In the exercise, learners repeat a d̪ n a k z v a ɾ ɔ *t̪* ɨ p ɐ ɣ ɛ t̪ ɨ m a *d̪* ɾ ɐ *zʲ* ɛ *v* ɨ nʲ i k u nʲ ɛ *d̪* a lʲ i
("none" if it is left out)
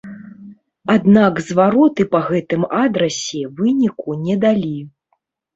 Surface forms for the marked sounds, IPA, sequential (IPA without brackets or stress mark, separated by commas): t̪, d̪, sʲ, v, d̪